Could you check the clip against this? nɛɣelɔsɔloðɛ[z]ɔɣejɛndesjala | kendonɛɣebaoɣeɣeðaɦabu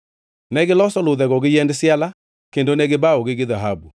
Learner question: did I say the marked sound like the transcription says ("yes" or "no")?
no